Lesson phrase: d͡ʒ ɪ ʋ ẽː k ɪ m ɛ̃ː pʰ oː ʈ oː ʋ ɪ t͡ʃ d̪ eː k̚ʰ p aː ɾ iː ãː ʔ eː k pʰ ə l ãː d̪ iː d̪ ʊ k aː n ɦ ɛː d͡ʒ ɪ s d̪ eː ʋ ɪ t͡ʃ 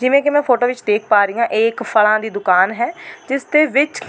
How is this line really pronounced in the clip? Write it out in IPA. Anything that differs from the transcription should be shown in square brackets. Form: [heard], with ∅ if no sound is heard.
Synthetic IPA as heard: d͡ʒ ɪ ʋ ẽː k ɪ m ɛ̃ː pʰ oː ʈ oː ʋ ɪ t͡ʃ d̪ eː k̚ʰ p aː ɾ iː ãː ʔ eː k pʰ ə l ãː d̪ iː d̪ ʊ k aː n ɦ ɛː d͡ʒ ɪ s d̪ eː ʋ ɪ t͡ʃ